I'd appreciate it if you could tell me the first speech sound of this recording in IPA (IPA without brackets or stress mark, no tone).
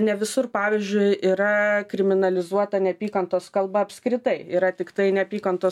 nʲ